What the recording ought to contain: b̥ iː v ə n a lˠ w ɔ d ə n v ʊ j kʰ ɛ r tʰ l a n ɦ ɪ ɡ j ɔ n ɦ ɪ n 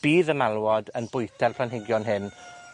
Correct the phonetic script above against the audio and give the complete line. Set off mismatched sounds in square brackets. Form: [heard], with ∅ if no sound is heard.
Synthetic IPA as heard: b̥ iː [ð] ə [m] a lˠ w ɔ d ə n [b] ʊ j [tʰ] ɛ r [pʰ] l a n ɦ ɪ ɡ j ɔ n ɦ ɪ n